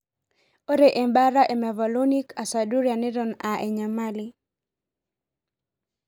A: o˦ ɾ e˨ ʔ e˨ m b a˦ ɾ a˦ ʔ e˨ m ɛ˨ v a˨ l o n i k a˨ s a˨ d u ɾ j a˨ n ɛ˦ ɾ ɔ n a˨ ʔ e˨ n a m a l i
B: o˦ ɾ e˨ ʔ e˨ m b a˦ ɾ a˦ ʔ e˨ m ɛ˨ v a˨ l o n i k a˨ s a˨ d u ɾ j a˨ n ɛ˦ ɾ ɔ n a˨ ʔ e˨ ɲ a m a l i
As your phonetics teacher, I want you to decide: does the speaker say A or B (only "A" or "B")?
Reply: B